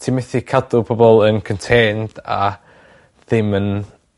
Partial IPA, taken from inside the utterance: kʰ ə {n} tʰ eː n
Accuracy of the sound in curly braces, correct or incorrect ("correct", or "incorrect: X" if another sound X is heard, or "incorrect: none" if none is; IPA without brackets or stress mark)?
correct